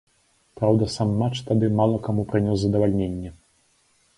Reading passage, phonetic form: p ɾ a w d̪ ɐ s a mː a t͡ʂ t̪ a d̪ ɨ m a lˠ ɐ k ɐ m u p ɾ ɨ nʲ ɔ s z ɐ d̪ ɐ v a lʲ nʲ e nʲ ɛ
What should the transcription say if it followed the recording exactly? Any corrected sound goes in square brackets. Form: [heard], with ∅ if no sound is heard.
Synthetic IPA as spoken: p ɾ a w d̪ ɐ s a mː a t͡ʂ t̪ a d̪ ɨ m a lˠ ɐ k [a] m u p ɾ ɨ nʲ ɔ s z ɐ d̪ ɐ v a lʲ nʲ e [nʲː] ɛ